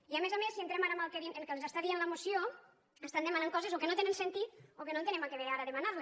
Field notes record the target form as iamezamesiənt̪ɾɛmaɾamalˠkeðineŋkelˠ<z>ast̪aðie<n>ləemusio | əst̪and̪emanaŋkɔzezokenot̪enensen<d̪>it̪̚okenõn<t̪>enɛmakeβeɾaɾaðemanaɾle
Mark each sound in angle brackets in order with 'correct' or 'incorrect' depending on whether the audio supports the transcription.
correct, correct, incorrect: t̪, correct

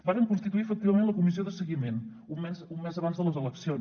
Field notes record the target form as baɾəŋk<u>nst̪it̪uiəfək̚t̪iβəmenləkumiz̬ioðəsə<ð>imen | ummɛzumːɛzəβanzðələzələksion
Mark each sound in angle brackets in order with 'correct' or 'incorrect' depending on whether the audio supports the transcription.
correct, incorrect: ɣ

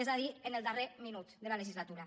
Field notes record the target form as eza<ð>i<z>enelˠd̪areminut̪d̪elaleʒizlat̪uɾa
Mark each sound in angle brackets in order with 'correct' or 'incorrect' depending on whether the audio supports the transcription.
correct, incorrect: none

